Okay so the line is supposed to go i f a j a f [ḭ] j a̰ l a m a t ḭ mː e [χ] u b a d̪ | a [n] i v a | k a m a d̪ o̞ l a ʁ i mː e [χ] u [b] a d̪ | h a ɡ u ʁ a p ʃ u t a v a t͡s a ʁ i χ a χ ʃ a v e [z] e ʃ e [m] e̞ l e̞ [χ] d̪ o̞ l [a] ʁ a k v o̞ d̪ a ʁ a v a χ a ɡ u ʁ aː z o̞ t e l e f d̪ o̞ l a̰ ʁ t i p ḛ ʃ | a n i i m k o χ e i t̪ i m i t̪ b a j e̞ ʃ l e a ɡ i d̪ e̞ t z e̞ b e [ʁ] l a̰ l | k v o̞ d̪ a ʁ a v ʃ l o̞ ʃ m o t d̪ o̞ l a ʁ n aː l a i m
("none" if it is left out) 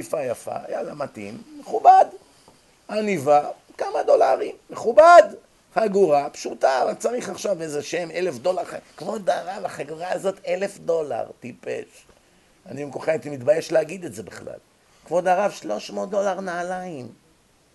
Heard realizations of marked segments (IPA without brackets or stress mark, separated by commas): a̰, χ, n, χ, b, z, m, f, a, χ